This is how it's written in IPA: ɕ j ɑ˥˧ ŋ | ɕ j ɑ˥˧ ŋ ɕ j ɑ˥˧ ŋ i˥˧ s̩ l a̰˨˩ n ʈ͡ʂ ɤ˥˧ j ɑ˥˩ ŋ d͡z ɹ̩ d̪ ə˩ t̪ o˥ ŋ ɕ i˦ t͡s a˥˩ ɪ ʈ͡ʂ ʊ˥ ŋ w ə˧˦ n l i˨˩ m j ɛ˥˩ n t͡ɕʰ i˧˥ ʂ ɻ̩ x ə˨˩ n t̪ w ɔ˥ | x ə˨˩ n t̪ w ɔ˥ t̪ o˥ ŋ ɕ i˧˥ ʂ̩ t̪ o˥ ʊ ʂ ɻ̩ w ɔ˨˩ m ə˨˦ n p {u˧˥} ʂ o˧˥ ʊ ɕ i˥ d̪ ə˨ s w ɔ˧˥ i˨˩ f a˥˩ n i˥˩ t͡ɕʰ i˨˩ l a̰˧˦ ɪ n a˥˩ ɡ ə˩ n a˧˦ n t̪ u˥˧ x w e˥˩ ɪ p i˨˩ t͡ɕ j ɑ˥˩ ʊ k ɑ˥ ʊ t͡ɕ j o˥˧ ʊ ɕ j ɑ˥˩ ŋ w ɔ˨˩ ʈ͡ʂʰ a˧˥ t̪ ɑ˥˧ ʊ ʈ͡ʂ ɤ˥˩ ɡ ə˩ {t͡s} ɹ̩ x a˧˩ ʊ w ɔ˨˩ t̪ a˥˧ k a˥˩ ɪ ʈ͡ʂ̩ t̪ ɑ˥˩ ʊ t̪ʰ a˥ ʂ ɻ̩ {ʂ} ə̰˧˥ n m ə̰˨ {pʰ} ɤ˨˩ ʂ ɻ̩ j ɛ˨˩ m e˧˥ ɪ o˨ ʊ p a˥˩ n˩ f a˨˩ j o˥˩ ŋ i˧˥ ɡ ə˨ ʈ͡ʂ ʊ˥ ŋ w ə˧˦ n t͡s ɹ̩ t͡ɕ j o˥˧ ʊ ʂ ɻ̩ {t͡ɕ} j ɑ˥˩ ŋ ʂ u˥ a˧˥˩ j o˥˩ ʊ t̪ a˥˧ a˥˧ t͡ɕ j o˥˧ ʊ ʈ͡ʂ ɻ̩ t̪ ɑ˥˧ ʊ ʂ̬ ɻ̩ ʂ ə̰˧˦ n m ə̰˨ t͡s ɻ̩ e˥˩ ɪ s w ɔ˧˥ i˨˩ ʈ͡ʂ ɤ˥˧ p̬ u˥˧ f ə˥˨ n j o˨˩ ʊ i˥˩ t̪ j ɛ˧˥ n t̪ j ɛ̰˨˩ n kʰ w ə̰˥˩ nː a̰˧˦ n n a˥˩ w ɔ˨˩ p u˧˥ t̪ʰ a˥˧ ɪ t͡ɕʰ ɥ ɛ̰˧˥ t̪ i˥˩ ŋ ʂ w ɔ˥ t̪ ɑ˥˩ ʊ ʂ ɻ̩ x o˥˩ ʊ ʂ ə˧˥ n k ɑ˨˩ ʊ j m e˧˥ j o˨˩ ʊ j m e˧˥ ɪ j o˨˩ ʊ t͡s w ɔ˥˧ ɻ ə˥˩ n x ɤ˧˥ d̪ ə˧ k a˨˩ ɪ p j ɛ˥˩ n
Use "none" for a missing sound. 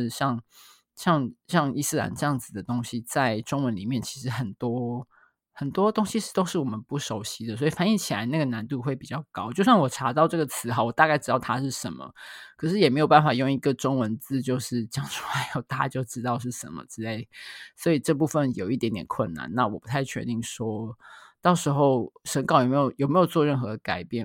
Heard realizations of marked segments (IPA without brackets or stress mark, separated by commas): u˥˩, t͡sʰ, ʂ, kʰ, t͡ɕ